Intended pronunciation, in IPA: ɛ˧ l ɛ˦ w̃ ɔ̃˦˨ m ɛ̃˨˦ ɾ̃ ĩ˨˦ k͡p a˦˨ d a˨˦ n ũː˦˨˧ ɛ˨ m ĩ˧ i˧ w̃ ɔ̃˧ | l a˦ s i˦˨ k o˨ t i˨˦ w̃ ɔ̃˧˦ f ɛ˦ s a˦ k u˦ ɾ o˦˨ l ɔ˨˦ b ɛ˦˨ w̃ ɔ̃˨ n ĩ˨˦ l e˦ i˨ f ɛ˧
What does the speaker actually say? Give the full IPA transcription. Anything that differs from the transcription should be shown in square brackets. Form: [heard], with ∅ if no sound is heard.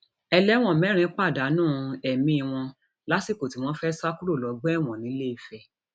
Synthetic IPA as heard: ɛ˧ l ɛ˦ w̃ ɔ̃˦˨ m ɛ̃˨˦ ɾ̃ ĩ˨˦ k͡p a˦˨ d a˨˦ n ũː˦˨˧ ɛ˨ m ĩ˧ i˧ w̃ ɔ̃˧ | l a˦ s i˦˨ k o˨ t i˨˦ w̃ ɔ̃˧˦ f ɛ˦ s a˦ k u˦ ɾ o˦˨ l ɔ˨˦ [ɡ͡b] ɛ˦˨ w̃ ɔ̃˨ n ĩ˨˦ l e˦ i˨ f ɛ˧